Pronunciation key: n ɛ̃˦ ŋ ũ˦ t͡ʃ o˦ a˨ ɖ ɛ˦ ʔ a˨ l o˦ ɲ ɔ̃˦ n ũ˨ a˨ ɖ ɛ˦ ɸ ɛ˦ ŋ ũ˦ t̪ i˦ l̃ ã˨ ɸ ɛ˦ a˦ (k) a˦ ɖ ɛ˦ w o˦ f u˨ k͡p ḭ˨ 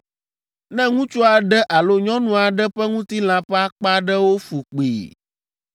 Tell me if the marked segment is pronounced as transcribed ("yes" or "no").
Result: no